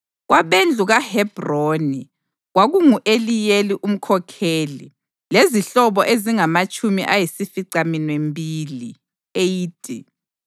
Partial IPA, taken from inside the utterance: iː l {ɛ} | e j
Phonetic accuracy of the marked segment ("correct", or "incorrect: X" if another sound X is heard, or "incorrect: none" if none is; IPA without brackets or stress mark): incorrect: i